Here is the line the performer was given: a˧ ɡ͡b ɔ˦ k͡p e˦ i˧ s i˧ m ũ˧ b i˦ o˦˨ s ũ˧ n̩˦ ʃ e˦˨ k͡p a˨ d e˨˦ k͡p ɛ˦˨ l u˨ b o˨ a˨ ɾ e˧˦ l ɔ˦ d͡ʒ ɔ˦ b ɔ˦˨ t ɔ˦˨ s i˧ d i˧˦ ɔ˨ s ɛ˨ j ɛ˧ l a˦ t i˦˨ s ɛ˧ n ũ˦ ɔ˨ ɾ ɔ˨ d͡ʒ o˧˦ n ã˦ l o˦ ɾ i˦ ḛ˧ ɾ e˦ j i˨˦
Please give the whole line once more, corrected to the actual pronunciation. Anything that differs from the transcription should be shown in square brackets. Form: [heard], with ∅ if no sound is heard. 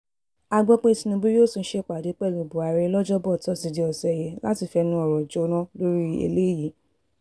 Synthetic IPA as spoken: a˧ ɡ͡b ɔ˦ k͡p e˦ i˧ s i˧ [n] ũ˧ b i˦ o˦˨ s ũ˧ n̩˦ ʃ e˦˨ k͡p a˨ d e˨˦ k͡p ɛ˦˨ l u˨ b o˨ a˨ ɾ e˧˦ l ɔ˦ d͡ʒ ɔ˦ b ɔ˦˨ t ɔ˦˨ s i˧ d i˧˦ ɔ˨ s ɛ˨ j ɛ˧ l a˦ t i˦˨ [f] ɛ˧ n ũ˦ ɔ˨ ɾ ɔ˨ d͡ʒ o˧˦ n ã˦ l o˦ ɾ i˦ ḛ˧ [l] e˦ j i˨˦

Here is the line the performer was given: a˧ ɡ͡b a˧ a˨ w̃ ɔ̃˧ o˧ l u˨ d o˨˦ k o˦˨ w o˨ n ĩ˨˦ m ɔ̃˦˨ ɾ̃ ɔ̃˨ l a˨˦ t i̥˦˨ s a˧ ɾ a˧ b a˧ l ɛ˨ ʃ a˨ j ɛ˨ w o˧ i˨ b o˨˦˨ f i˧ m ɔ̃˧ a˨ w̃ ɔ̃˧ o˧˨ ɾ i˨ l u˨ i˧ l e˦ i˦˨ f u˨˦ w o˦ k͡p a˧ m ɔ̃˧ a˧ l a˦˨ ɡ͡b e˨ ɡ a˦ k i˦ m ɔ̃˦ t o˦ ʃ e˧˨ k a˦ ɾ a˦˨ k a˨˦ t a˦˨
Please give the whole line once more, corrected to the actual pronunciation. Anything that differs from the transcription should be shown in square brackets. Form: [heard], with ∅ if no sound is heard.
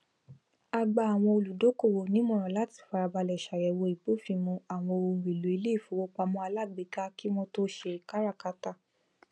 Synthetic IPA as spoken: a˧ ɡ͡b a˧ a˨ w̃ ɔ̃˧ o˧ l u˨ d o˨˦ k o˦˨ w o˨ n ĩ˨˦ m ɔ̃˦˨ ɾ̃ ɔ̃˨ l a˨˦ t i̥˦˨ [f] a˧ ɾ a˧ b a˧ l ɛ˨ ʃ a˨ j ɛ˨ w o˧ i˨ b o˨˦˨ f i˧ m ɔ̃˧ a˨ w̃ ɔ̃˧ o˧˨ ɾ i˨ l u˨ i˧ l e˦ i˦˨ f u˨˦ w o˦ k͡p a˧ m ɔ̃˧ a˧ l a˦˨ ɡ͡b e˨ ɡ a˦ k i˦ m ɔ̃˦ t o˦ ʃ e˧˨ k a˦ ɾ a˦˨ k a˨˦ t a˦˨

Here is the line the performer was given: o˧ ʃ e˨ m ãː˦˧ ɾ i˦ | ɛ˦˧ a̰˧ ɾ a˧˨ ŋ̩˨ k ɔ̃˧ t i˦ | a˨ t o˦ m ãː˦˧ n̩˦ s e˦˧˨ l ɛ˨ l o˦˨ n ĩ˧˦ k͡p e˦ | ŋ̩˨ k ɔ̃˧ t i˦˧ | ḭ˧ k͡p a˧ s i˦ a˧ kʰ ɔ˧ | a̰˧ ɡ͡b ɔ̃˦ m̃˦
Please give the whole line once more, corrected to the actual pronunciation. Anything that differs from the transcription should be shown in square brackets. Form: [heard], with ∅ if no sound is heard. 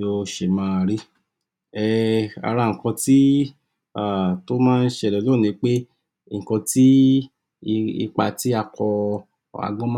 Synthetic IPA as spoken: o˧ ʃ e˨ m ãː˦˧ ɾ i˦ | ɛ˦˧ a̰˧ ɾ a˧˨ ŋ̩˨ k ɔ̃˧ t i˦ | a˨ t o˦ m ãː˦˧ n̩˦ [ʃ] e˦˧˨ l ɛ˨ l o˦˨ n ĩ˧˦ k͡p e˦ | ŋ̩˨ k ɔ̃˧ t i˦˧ | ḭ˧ k͡p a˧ [t] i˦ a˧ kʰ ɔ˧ | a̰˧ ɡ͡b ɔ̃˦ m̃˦

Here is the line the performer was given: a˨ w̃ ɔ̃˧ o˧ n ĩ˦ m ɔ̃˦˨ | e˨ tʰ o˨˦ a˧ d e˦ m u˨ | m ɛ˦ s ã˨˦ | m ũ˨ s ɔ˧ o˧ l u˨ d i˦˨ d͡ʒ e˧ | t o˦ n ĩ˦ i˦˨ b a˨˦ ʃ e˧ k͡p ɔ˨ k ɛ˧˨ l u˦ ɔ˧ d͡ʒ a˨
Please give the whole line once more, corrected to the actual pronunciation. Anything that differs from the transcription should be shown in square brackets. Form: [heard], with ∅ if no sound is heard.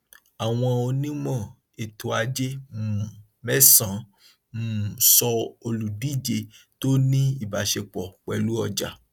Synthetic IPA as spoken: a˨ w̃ ɔ̃˧ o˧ n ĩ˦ m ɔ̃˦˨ | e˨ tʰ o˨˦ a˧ [d͡ʒ] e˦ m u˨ | m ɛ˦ s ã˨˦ | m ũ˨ s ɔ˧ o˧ l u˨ d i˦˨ d͡ʒ e˧ | t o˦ n ĩ˦ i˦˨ b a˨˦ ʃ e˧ k͡p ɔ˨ [k͡p] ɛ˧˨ l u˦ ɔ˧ d͡ʒ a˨

